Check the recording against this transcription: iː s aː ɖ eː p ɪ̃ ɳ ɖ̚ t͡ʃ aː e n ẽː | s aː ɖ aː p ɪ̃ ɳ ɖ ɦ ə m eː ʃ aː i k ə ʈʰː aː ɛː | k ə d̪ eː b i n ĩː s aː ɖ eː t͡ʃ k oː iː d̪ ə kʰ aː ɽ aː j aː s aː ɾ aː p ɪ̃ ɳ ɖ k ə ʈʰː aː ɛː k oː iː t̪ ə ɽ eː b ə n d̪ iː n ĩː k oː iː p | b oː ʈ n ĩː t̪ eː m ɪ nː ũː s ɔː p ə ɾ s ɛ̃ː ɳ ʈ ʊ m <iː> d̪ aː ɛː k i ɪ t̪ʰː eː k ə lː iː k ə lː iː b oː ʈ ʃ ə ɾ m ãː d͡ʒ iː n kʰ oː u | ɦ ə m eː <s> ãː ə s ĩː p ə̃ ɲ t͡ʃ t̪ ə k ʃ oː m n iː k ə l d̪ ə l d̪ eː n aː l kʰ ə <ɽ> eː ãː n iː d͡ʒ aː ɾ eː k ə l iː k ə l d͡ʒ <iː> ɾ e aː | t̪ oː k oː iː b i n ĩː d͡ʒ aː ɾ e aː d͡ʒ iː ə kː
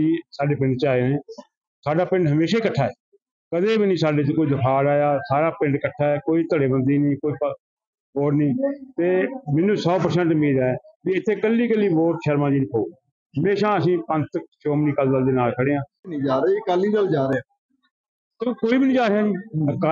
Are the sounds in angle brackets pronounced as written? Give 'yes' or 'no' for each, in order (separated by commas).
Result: yes, no, yes, no